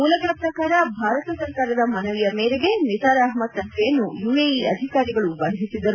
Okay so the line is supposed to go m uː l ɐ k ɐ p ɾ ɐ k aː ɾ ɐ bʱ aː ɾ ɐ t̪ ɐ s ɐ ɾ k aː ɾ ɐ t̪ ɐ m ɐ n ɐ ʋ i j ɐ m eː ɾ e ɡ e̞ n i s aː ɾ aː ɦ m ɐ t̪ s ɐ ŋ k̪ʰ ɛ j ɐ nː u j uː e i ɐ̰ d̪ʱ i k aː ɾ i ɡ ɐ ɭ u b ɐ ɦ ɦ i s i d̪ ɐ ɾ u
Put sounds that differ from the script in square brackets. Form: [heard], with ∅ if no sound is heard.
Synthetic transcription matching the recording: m uː l ɐ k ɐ p ɾ ɐ k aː ɾ ɐ bʱ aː ɾ ɐ t̪ ɐ s ɐ ɾ k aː ɾ ɐ [d̪] ɐ m ɐ n ɐ ʋ i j ɐ m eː ɾ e ɡ e̞ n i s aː ɾ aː ɦ m ɐ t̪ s ɐ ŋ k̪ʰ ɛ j ɐ nː u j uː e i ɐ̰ d̪ʱ i k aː ɾ i ɡ ɐ ɭ u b ɐ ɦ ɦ i s i d̪ ɐ ɾ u